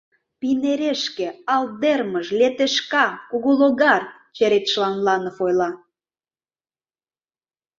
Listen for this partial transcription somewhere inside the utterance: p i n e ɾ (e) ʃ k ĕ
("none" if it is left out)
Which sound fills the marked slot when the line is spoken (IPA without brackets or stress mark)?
e